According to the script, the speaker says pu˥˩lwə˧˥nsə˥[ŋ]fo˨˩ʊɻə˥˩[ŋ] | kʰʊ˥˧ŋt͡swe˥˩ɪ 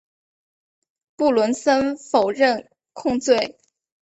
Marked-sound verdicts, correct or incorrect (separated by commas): incorrect, incorrect